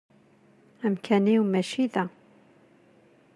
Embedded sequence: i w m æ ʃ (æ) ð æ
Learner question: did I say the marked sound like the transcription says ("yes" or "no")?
no